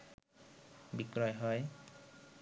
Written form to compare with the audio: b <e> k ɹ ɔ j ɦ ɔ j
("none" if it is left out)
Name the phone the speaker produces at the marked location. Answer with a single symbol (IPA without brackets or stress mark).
i